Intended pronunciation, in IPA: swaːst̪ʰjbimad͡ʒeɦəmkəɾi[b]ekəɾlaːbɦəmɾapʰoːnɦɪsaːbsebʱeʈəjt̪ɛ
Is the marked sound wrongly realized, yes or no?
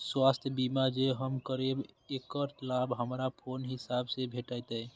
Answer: no